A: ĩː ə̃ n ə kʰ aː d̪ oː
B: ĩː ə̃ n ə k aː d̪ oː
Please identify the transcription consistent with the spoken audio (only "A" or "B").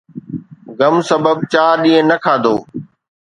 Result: A